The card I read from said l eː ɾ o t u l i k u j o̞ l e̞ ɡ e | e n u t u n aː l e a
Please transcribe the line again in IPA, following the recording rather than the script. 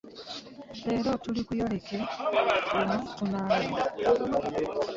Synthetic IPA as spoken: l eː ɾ o t u l i k u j o̞ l e̞ k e | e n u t u n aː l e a